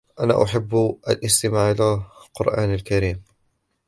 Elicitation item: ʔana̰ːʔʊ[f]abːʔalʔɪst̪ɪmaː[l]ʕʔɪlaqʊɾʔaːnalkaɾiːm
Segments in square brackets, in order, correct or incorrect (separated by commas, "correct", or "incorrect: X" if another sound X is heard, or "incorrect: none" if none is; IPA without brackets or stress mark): incorrect: ħ, incorrect: none